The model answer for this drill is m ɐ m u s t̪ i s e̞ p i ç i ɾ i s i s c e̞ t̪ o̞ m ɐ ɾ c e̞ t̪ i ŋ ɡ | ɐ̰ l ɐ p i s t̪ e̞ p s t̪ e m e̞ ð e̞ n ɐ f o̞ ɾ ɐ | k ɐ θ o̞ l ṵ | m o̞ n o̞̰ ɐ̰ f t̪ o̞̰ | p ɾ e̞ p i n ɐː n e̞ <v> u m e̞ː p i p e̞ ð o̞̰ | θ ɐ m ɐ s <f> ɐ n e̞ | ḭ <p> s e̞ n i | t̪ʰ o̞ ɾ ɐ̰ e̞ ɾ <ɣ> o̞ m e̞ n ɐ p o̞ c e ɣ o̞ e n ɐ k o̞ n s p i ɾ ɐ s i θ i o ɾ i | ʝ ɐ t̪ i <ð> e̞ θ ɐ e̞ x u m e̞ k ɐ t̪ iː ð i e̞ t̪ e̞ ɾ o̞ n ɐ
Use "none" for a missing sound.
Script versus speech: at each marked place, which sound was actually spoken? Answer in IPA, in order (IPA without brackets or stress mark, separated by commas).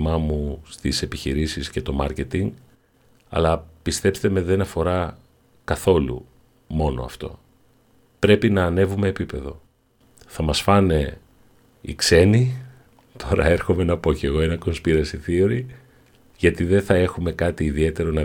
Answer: v, f, k, x, ð